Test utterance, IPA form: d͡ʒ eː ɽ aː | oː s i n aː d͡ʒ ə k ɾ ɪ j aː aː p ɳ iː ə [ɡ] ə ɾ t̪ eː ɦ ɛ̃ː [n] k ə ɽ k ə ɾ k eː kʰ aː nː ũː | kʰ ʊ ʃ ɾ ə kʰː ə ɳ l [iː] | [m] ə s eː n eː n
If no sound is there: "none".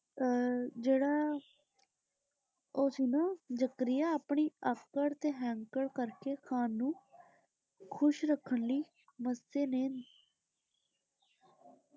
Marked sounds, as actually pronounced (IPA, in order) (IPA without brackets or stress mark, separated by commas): k, ŋ, iː, m